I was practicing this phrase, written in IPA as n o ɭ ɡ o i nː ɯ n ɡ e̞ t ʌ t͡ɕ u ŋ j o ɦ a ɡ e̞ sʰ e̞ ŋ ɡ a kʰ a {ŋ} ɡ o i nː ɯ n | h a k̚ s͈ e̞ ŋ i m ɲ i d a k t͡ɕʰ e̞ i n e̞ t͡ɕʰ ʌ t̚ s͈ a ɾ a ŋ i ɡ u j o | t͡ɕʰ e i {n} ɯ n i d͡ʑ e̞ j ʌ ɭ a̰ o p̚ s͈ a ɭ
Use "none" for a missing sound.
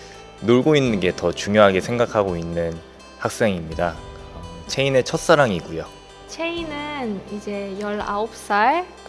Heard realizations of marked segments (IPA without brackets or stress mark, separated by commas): none, n